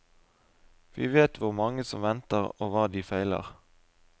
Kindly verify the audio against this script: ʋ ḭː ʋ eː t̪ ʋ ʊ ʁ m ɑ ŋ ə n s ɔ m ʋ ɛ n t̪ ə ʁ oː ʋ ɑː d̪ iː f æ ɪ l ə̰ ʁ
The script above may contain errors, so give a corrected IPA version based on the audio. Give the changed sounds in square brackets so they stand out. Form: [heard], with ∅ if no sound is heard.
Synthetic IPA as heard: ʋ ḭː ʋ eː t̪ ʋ ʊ ʁ m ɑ ŋ ə [∅] s ɔ m ʋ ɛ n t̪ ə ʁ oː ʋ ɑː d̪ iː f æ ɪ l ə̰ ʁ